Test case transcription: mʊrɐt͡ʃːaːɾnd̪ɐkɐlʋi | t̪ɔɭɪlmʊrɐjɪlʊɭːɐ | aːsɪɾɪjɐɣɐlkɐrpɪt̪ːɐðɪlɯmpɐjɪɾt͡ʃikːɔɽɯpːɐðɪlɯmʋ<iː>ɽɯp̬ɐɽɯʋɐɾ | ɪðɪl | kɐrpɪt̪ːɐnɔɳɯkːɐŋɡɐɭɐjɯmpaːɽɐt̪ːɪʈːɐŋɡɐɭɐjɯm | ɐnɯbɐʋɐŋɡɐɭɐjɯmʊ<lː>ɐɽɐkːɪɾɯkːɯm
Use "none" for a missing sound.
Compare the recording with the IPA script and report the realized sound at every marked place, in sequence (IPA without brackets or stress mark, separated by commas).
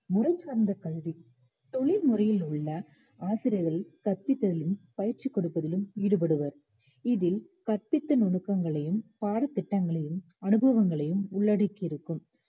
iː, ɭː